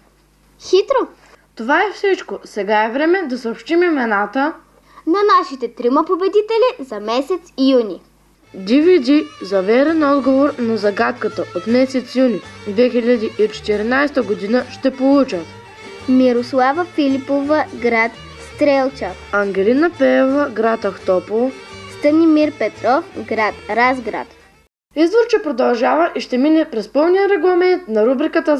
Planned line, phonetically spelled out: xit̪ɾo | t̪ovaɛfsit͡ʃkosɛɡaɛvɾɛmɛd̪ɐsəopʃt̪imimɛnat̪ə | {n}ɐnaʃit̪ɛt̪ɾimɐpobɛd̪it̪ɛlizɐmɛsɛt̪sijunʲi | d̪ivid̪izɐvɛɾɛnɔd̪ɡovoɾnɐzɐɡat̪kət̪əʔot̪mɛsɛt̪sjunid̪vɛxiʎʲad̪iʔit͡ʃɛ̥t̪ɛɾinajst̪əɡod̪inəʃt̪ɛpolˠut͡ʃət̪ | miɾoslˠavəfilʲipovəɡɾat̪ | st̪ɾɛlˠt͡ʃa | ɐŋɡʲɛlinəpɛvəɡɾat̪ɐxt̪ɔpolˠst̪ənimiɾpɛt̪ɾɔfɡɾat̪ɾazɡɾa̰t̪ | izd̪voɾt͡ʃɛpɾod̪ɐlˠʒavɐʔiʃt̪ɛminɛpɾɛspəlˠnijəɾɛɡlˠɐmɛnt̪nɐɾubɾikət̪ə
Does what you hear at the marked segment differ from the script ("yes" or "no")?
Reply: no